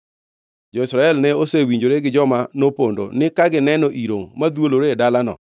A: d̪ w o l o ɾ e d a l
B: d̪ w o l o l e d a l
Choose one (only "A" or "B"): A